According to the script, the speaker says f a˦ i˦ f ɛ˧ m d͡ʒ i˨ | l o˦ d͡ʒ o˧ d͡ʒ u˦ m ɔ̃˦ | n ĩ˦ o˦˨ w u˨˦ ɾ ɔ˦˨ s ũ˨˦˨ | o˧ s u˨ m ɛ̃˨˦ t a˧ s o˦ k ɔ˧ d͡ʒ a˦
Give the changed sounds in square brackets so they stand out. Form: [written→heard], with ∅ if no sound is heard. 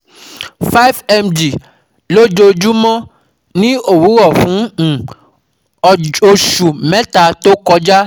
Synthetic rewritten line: f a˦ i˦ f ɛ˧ m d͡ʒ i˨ | l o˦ d͡ʒ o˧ d͡ʒ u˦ m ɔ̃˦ | n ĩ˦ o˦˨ w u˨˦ ɾ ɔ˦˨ [s→f] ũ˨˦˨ | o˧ [s→ʃ] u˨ m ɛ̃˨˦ t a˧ [s→t] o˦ k ɔ˧ d͡ʒ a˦